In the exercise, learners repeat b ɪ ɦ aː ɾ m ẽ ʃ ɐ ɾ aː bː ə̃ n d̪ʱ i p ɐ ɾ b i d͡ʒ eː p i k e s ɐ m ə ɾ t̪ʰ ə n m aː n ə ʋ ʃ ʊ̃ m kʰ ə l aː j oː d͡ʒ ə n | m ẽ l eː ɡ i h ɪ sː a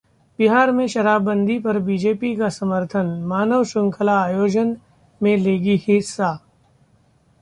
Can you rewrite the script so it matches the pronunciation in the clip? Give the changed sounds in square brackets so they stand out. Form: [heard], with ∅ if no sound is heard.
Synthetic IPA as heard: b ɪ ɦ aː ɾ m ẽ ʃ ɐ ɾ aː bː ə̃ n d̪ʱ i p ɐ ɾ b i d͡ʒ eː p i k [a] s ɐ m ə ɾ t̪ʰ ə n m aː n ə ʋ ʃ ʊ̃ [ŋ] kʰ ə l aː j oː d͡ʒ ə n | m ẽ l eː ɡ i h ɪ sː a